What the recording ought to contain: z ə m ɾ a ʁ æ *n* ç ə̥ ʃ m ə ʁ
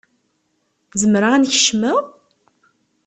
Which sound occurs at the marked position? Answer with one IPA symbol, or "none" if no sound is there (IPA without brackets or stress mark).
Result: n